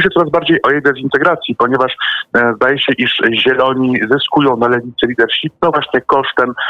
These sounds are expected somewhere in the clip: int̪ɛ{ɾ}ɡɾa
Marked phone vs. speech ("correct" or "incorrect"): incorrect